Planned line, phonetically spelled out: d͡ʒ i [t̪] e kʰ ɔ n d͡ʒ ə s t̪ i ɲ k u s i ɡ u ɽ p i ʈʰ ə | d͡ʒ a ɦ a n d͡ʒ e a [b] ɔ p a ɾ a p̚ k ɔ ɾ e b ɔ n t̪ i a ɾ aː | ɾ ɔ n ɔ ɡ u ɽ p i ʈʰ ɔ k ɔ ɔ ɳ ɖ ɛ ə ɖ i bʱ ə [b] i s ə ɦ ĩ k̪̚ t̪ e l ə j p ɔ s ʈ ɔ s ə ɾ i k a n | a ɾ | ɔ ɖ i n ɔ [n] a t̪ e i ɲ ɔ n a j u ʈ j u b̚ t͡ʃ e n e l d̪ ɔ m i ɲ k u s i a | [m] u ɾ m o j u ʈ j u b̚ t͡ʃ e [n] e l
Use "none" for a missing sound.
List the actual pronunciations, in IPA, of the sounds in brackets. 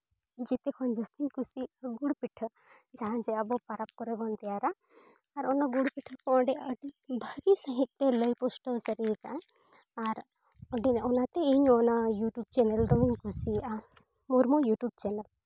t̪, b, ɡ, n, m, n

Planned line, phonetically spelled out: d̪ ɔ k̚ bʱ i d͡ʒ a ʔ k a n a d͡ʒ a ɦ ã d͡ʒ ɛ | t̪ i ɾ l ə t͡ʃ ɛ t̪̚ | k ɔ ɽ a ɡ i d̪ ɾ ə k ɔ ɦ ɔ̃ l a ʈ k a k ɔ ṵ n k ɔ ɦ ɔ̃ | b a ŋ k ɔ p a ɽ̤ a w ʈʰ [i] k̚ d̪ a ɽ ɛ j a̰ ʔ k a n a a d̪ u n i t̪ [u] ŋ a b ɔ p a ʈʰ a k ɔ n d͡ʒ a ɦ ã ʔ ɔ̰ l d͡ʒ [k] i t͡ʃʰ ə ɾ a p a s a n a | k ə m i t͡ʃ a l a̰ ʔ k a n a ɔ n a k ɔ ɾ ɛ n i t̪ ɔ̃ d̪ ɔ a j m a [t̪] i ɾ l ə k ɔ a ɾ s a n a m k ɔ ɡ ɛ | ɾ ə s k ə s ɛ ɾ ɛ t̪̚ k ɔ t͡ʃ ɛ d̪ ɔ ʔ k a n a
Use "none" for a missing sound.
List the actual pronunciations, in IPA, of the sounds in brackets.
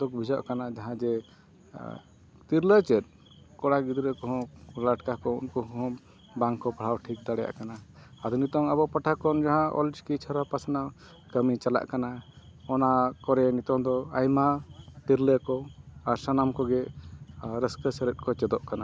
i, ɔ, k, t̪

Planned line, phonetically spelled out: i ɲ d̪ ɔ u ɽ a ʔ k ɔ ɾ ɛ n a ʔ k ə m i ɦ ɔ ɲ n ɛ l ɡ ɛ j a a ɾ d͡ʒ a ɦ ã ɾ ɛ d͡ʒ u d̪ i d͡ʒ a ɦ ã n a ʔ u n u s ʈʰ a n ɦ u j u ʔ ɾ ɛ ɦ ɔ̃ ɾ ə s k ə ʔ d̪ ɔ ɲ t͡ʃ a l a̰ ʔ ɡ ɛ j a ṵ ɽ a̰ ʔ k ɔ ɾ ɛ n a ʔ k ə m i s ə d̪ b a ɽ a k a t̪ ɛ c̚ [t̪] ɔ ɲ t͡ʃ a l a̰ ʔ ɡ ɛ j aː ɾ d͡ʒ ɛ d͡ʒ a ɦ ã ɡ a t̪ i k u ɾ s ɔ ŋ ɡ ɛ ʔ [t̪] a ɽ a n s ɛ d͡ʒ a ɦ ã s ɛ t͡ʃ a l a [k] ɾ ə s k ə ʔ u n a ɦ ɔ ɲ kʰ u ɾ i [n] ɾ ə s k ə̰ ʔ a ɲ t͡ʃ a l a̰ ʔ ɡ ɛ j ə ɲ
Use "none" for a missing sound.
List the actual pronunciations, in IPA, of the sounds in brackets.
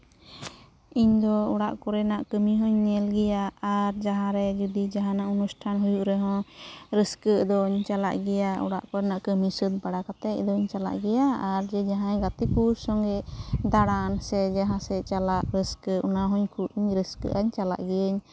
d̪, d̪, ʔ, ɲ

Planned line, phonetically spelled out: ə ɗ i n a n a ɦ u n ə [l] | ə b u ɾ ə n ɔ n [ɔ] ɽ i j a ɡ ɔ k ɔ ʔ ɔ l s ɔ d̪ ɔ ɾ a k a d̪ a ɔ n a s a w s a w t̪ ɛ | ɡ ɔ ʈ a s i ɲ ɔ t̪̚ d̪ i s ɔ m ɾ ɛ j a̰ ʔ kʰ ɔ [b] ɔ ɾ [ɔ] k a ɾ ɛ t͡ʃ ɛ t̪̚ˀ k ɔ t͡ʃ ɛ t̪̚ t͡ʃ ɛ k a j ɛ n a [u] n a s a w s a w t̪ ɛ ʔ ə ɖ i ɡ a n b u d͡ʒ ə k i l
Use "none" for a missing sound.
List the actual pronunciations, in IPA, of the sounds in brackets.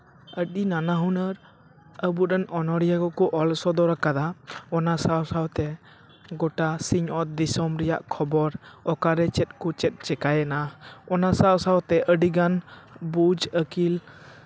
ɾ, ɔ, b, ɔ, ɔ

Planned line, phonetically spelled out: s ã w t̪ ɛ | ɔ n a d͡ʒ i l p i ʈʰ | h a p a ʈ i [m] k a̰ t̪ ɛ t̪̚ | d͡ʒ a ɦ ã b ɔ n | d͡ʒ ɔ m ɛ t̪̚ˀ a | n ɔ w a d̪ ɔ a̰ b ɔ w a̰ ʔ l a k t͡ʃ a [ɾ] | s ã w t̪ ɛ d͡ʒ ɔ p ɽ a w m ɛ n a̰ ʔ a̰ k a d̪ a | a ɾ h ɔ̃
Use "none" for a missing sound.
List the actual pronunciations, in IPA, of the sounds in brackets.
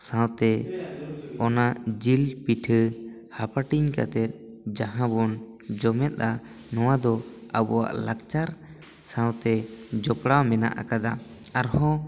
ɲ, ɾ

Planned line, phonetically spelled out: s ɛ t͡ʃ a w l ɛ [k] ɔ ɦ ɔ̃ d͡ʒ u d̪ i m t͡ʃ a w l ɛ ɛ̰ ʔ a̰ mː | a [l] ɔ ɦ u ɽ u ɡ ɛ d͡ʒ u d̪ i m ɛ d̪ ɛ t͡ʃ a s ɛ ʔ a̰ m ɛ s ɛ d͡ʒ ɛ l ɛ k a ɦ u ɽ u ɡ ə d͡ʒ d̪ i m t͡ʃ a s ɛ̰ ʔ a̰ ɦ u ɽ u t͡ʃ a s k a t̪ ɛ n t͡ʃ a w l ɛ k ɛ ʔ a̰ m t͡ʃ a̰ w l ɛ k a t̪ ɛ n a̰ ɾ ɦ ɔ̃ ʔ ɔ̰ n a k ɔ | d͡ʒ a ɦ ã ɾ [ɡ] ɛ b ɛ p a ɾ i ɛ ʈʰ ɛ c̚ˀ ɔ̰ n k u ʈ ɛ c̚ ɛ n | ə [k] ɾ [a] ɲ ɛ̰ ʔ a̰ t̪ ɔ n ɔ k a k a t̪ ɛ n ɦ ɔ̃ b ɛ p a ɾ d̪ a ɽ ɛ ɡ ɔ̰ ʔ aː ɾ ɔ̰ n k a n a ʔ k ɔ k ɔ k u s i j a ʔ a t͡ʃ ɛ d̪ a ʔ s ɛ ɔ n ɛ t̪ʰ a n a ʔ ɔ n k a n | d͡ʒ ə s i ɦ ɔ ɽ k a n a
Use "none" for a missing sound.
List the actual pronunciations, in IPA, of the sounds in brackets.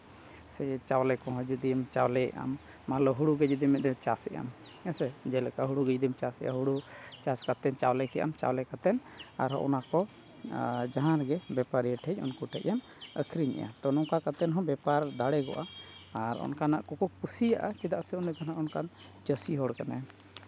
k, l, ɡ, kʰ, i

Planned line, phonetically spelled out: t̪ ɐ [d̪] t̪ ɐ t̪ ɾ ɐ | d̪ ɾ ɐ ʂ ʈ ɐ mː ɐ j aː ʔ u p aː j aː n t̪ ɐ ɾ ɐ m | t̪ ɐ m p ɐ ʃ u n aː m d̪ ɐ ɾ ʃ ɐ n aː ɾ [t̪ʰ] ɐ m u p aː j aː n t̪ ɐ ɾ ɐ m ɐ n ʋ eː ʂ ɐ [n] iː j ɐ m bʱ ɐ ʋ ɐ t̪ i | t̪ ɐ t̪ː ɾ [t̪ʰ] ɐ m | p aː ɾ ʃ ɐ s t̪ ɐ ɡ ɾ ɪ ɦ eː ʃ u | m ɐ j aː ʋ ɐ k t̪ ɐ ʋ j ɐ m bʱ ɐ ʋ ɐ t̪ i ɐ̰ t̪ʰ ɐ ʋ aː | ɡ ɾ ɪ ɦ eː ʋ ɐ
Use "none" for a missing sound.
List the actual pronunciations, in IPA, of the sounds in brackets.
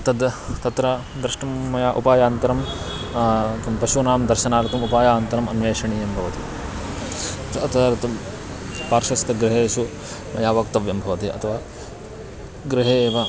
d̪, t̪, ɳ, t̪

